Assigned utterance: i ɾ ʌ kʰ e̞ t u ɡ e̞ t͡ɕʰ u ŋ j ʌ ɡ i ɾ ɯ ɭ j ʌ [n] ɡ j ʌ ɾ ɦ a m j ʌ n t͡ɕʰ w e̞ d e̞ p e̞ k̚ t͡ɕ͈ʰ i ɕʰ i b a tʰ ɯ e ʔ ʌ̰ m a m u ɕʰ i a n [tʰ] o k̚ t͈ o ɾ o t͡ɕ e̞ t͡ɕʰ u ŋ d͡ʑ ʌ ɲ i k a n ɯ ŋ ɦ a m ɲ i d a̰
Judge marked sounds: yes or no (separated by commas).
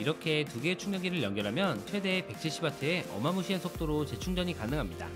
no, no